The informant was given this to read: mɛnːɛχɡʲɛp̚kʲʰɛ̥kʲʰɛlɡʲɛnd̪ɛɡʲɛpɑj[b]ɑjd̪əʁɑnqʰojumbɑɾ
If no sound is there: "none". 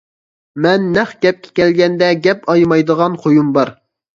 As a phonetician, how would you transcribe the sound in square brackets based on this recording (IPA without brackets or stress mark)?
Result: m